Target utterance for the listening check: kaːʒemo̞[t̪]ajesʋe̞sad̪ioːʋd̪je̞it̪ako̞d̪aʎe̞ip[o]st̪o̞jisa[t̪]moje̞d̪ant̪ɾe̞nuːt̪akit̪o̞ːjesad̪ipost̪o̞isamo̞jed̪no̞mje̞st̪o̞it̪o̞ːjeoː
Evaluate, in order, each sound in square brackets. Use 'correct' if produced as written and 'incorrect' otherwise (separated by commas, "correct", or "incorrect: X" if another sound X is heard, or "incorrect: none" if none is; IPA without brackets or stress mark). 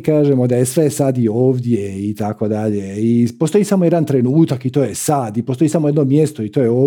incorrect: d̪, correct, incorrect: none